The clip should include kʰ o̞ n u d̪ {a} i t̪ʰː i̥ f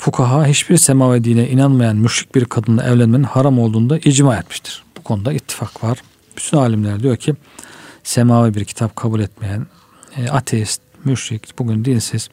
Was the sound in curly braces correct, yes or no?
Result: yes